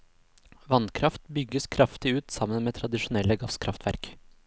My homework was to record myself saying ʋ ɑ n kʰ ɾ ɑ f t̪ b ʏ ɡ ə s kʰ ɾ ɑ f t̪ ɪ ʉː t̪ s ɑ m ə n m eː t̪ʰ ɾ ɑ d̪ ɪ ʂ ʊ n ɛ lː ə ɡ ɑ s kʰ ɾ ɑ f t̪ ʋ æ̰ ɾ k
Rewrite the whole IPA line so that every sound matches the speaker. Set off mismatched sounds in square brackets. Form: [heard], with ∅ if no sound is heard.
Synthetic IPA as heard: ʋ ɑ n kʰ ɾ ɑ f t̪ b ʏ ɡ ə s kʰ ɾ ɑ f t̪ ɪ ʉː t̪ s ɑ m ə n m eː t̪ʰ ɾ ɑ d̪ ɪ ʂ ʊ n ɛ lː ə ɡ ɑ s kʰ ɾ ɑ f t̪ ʋ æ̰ ɾ k